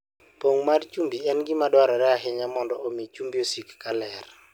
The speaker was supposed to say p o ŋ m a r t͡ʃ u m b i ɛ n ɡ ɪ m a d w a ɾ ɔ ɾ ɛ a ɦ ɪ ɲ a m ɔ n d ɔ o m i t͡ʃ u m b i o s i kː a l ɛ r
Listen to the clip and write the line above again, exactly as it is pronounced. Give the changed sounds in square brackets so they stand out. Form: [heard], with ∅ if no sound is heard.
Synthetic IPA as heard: p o ŋ m a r t͡ʃ u m b i ɛ n ɡ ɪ m a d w a ɾ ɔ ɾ ɛ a ɦ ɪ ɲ a m ɔ n d ɔ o m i t͡ʃ u m b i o s i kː a l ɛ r